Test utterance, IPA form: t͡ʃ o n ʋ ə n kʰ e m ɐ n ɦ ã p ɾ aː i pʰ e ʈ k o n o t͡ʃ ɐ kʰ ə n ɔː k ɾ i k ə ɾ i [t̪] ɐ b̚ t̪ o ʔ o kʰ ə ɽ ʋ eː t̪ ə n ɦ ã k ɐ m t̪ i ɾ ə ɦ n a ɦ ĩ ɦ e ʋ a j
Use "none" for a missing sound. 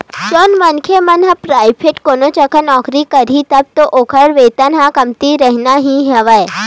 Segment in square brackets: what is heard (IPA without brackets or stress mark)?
t̪